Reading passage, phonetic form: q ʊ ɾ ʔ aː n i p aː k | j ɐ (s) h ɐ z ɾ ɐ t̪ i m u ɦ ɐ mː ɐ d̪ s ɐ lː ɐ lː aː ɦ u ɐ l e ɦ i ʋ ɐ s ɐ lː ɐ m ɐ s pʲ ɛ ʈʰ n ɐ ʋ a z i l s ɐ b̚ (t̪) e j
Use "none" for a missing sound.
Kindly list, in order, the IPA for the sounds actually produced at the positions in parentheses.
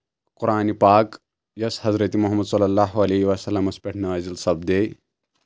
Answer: s, d̪

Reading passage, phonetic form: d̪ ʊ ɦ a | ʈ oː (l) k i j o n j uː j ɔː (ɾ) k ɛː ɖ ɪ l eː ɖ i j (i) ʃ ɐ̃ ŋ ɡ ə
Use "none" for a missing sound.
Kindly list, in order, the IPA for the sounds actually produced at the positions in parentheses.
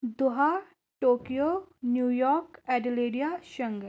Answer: none, ɾ, a

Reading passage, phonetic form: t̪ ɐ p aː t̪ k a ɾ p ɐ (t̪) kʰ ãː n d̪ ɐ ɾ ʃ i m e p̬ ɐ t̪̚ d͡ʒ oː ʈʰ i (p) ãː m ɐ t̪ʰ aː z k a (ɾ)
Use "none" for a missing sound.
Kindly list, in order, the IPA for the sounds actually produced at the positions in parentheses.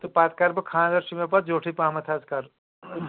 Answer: none, p, ɾ

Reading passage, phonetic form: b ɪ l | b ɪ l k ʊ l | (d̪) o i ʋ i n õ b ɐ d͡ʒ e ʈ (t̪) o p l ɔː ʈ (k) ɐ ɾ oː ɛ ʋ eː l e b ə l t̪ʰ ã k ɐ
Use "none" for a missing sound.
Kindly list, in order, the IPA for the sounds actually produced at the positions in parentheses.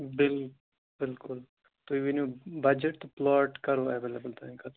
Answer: t̪, t̪, k

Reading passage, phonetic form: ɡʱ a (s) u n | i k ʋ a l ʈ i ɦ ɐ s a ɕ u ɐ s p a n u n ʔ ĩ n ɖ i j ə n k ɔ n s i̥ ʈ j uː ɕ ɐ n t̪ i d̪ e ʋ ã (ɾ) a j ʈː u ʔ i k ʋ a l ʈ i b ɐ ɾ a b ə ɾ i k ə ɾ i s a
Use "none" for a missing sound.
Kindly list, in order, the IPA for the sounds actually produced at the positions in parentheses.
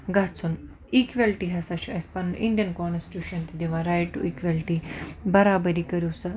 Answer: t͡s, ɾ

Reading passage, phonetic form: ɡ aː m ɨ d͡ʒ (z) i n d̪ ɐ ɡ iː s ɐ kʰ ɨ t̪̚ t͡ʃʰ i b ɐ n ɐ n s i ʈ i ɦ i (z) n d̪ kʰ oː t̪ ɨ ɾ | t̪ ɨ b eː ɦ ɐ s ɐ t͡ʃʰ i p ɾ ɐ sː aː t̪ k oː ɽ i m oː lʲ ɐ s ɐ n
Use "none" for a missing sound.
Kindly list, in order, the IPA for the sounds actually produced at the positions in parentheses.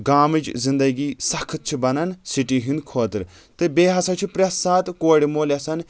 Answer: z, none

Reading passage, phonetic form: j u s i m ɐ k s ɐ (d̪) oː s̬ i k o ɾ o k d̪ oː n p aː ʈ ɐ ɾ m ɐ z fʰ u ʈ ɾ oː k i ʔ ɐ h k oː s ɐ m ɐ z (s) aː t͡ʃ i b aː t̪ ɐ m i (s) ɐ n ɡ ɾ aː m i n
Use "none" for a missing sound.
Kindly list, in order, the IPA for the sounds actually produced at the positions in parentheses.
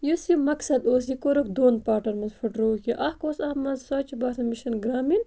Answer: d̪, s, ʃ

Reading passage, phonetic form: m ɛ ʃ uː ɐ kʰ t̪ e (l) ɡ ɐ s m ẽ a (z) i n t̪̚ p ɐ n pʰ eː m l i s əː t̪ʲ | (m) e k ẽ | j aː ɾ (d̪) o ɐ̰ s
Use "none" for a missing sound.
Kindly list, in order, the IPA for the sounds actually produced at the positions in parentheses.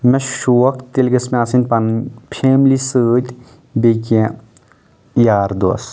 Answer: l, s, b, d̪

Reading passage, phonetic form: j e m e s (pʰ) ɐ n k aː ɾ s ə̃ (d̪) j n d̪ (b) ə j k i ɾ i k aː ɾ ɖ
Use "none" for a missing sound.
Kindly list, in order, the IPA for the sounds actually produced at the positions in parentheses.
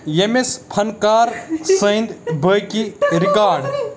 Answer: pʰ, none, b

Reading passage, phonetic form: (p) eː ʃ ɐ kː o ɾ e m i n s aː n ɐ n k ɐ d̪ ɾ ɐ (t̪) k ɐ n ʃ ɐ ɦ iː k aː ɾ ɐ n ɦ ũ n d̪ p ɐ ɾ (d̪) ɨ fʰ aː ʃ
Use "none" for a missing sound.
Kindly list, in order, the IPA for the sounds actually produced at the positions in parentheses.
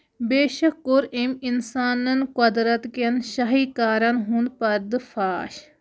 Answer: b, t̪, d̪

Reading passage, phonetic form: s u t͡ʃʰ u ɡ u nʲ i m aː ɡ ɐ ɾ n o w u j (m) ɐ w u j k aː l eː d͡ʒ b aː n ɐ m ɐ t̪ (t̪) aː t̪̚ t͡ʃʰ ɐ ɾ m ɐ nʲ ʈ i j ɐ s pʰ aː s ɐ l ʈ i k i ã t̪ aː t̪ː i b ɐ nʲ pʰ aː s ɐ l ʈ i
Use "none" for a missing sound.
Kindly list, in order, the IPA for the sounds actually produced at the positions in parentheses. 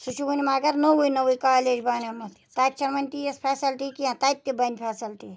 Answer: n, t̪

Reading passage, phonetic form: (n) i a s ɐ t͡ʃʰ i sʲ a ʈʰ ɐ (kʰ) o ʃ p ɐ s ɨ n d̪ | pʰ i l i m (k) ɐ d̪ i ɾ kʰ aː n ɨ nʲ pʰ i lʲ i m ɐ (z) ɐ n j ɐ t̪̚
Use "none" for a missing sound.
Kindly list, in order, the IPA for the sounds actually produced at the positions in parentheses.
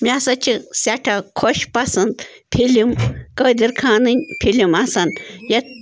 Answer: m, kʰ, k, s

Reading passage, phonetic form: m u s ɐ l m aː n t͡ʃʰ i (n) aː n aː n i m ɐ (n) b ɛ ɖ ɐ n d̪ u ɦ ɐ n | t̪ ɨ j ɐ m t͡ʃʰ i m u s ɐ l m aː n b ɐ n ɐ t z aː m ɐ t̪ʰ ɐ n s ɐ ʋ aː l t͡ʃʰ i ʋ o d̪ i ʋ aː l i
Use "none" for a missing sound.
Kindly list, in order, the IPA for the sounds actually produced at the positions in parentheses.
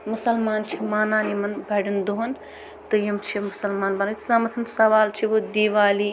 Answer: m, n

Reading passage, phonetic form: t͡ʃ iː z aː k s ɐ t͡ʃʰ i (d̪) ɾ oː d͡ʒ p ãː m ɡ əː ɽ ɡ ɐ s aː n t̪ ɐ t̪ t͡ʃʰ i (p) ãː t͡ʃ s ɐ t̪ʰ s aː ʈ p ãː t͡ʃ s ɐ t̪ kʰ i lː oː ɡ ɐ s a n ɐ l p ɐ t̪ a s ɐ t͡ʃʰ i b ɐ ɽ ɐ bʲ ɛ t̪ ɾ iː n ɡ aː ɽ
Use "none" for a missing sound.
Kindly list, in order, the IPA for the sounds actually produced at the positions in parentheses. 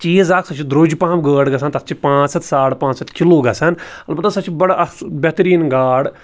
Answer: d̪, p

